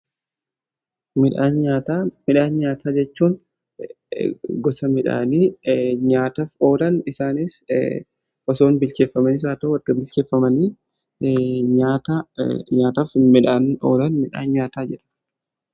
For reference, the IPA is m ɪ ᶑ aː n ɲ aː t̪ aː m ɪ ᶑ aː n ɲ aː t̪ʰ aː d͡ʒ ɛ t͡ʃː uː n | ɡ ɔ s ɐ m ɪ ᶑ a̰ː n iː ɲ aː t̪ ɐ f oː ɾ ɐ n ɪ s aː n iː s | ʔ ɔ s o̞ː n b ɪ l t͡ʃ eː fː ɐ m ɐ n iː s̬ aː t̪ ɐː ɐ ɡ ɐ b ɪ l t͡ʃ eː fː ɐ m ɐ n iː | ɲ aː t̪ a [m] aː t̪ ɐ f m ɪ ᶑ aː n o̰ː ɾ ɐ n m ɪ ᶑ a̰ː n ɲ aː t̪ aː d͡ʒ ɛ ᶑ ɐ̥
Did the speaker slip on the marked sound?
yes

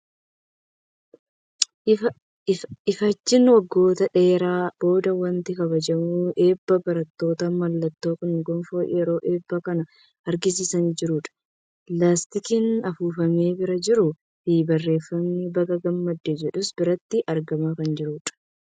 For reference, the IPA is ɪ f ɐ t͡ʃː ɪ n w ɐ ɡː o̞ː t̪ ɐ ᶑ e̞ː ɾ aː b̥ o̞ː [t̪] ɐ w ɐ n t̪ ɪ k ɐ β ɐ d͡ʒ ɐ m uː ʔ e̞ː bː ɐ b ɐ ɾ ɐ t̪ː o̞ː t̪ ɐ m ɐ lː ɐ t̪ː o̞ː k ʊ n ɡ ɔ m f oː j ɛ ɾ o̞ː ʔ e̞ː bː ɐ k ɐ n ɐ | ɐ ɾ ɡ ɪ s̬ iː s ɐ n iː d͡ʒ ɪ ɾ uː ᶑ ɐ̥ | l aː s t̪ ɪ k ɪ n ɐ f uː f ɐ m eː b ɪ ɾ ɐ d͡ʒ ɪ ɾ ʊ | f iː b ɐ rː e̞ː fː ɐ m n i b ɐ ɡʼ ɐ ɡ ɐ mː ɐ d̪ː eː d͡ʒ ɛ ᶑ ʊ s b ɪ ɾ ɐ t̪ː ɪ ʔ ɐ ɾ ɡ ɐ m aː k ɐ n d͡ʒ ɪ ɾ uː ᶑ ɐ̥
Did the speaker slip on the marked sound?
yes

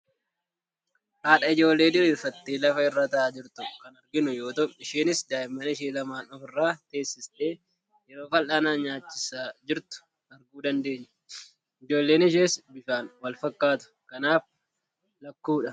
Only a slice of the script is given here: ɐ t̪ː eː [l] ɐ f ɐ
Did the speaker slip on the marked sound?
no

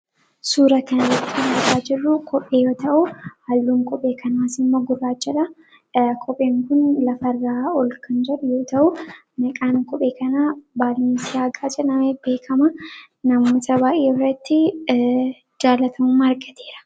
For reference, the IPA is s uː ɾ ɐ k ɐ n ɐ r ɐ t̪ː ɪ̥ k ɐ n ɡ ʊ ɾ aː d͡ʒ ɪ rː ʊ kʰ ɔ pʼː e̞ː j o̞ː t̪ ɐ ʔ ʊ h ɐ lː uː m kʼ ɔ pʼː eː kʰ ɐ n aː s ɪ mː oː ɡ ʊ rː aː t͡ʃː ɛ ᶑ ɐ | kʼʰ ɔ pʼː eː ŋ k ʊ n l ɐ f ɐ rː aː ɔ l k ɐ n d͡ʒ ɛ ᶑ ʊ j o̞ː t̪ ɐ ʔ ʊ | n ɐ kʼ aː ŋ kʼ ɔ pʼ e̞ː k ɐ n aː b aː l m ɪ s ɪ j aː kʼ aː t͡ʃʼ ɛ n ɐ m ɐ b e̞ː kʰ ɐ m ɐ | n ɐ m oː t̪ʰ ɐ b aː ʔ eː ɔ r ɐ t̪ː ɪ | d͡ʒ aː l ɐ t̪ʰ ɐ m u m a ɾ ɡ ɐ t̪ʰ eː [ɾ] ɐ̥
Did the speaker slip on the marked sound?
no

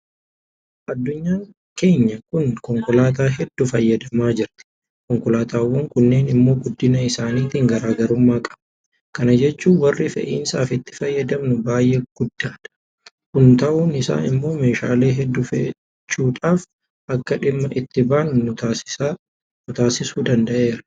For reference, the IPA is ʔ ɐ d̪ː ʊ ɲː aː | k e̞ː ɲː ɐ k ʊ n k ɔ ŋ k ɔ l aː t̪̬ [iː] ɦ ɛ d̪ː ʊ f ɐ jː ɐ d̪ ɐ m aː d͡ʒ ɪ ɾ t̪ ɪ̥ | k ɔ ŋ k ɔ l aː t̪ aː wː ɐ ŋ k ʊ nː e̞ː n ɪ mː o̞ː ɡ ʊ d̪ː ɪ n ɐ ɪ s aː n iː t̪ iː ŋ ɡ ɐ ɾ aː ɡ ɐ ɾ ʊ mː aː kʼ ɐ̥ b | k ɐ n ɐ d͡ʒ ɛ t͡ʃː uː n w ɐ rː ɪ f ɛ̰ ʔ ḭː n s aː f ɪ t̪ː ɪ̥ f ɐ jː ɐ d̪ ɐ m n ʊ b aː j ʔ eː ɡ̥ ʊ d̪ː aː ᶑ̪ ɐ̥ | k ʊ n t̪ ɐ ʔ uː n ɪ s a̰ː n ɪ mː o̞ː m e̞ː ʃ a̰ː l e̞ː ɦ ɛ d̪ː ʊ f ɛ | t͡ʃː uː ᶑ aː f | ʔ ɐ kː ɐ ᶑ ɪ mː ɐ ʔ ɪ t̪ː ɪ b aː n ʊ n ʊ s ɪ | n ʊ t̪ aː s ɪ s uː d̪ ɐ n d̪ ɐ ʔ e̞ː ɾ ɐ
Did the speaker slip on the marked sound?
yes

